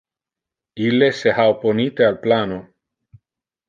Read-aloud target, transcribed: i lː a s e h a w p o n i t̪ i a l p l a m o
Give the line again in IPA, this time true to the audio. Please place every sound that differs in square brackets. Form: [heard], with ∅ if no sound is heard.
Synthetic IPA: i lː [e] s e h a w p o n i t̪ [e] a l p l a [n] o